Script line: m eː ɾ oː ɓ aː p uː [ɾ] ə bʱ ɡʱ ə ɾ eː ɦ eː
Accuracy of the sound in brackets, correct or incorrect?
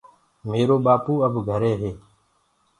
incorrect